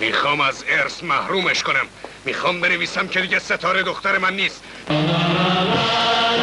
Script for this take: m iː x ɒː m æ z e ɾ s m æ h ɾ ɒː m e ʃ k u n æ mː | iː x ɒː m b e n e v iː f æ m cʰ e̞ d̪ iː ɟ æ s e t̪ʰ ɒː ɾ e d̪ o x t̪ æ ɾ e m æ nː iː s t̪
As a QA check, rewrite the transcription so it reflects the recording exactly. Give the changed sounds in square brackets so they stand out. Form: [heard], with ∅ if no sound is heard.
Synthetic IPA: m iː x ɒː m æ z e ɾ s m æ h ɾ [uː] m e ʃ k [o] n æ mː | iː x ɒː m b e n e v iː [s] æ m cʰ e̞ d̪ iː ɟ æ s e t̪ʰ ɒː ɾ e d̪ o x t̪ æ ɾ e m æ nː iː s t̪

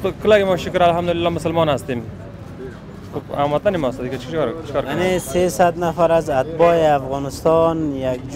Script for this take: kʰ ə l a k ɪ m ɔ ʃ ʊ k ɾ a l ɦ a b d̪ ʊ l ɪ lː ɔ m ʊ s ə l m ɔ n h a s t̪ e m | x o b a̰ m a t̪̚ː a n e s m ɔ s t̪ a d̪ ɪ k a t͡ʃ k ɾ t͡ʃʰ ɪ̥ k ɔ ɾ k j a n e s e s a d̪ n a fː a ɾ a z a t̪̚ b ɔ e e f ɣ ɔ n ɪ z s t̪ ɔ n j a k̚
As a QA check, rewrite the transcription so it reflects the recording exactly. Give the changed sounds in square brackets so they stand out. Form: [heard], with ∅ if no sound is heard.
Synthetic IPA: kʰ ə l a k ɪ m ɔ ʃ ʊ k ɾ a l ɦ a [m] d̪ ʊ l ɪ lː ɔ m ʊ s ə l m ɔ n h a s t̪ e m | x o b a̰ m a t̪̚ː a n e [∅] m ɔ s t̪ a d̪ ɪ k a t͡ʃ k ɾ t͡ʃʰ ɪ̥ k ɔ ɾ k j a n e s e s a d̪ n a [f] a ɾ a z a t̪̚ b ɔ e [a] f ɣ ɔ n ɪ [∅] s t̪ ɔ n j a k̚

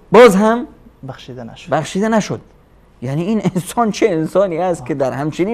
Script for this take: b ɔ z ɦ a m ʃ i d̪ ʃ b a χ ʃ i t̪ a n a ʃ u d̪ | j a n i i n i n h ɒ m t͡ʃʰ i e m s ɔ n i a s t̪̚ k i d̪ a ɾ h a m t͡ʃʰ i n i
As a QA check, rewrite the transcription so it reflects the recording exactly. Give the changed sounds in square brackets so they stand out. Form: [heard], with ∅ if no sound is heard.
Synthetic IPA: b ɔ z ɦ a m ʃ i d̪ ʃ b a χ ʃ i [d̪] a n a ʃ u d̪ | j a n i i n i n [s] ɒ [n] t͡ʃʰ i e [n] s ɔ n i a s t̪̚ k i d̪ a ɾ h a m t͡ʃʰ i n i

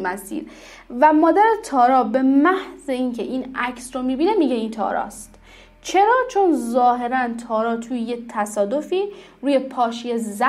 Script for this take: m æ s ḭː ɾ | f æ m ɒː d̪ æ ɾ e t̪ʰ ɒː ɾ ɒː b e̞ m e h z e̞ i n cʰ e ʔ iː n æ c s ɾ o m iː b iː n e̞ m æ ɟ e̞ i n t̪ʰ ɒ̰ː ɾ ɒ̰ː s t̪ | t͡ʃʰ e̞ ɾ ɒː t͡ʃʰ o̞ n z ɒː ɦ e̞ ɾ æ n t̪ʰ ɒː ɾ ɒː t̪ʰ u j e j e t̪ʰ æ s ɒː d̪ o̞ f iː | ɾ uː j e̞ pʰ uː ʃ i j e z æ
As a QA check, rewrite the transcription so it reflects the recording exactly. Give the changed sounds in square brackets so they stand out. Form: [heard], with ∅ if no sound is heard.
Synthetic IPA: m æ s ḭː ɾ | [v] æ m ɒː d̪ æ ɾ e t̪ʰ ɒː ɾ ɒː b e̞ m [æ] h z e̞ i n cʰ e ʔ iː n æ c s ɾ o m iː b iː n e̞ m [i] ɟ e̞ i n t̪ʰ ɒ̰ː ɾ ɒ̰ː s t̪ | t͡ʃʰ e̞ ɾ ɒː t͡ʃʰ o̞ n z ɒː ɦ e̞ ɾ æ n t̪ʰ ɒː ɾ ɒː t̪ʰ u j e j e t̪ʰ æ s ɒː d̪ o̞ f iː | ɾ uː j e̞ pʰ [ɒː] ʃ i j e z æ

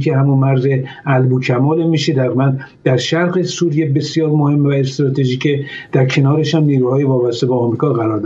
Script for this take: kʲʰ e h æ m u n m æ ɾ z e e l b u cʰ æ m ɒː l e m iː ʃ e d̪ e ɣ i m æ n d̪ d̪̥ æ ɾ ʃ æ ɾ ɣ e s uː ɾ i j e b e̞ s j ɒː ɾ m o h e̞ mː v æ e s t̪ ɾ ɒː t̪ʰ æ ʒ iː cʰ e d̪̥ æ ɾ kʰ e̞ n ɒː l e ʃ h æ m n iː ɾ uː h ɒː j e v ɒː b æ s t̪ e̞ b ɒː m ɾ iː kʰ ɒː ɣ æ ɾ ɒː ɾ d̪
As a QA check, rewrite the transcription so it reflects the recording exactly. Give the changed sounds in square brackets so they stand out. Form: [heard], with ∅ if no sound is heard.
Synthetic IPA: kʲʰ e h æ m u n m æ ɾ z e [æ] l b u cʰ æ m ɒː l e m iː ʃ e d̪ [æ] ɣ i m æ n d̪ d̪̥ æ ɾ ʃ æ ɾ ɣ e s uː ɾ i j e b e̞ s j ɒː ɾ m o h e̞ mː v æ e s t̪ ɾ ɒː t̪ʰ [e] ʒ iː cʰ e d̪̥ æ ɾ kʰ e̞ n ɒː [ɾ] e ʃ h æ m n iː ɾ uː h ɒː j e v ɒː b æ s t̪ e̞ b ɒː m ɾ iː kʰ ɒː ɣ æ ɾ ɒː ɾ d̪

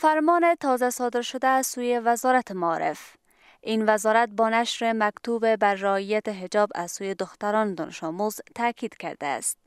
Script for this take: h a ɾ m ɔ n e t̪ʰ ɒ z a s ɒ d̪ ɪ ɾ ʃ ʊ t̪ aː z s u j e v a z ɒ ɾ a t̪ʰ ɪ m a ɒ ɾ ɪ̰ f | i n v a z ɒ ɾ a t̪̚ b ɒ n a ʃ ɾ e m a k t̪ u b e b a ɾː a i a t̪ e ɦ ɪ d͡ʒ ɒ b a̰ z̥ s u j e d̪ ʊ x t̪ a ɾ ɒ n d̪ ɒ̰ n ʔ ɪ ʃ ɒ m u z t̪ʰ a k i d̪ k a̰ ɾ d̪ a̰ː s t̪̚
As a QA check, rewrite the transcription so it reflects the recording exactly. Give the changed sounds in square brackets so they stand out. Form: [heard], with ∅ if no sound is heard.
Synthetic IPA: [f] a ɾ m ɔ n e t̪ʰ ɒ z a s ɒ d̪ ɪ ɾ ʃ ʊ [d̪] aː z s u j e v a z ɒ ɾ a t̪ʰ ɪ m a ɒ ɾ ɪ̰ f | i n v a z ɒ ɾ a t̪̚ b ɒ n a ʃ ɾ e m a k t̪ u b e b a ɾː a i a t̪ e ɦ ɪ d͡ʒ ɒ b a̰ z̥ s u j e d̪ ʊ x t̪ a ɾ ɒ n d̪ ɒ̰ n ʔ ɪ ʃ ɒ m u z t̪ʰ a k i d̪ k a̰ ɾ d̪ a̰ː s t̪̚

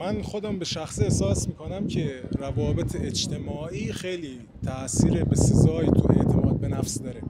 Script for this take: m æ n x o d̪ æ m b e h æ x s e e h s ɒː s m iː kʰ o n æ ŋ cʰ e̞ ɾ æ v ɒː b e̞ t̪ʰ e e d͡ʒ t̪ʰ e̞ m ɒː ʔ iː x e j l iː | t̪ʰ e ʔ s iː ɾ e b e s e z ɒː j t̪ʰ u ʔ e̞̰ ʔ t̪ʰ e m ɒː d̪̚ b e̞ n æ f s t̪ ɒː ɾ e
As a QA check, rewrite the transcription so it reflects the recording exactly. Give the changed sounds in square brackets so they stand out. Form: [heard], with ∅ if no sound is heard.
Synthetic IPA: m æ n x o d̪ æ m b e [ʃ] æ x s [i] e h s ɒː s m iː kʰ o n æ [m] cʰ e̞ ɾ æ v ɒː b e̞ t̪ʰ e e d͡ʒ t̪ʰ e̞ m ɒː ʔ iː x e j l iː | t̪ʰ [æ] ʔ s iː ɾ e b e s e z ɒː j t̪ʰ u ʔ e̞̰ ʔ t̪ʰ e m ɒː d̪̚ b e̞ n æ f s [d̪] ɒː ɾ e

